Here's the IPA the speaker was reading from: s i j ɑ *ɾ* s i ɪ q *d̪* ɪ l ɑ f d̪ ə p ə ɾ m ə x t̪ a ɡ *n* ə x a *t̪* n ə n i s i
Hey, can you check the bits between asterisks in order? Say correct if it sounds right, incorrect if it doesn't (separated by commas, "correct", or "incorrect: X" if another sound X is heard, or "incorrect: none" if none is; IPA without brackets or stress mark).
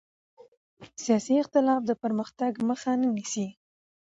incorrect: none, incorrect: t̪, incorrect: m, incorrect: none